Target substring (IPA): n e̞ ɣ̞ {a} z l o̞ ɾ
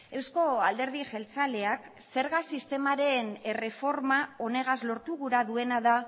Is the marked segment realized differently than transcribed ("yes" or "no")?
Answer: no